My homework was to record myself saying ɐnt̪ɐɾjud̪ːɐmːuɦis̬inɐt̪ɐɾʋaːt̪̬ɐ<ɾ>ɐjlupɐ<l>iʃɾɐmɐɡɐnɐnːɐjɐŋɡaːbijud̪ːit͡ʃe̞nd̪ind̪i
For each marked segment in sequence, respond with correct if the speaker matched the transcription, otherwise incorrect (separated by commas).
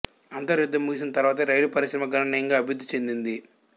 correct, incorrect